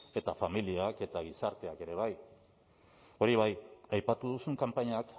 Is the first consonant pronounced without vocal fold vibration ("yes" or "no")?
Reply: yes